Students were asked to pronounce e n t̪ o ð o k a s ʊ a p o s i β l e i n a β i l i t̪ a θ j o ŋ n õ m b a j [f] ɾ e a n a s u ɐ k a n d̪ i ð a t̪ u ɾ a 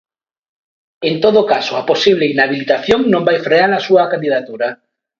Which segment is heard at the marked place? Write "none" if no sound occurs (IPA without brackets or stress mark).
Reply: f